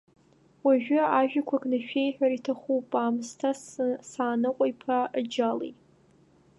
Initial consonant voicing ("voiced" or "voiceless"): voiced